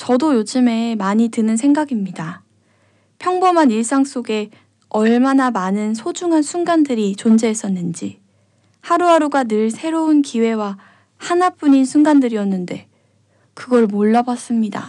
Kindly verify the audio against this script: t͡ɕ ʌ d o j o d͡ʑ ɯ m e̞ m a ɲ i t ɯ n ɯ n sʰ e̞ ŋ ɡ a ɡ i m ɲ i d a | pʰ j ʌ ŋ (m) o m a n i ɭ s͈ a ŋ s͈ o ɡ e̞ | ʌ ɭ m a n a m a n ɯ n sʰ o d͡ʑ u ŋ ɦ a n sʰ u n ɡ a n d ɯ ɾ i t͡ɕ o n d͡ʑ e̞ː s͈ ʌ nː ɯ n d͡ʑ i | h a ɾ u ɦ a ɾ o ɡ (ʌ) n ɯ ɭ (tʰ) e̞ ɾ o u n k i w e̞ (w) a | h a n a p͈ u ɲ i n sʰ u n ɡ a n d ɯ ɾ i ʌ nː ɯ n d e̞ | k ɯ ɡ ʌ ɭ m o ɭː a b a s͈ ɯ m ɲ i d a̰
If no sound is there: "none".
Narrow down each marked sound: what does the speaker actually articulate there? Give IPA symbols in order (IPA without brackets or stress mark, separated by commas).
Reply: b, a, sʰ, w